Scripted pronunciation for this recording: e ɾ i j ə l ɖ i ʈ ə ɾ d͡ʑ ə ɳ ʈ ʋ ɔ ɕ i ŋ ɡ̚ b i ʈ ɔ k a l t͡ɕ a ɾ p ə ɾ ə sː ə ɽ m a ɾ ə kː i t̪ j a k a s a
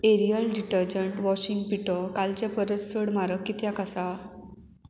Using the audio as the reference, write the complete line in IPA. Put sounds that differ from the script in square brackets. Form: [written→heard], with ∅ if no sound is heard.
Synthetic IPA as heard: e ɾ i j ə l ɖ i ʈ ə ɾ d͡ʑ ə ɳ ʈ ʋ ɔ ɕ i ŋ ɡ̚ [b→p] i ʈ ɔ k a l t͡ɕ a [ɾ→∅] p ə ɾ ə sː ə ɽ m a ɾ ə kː i t̪ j a k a s a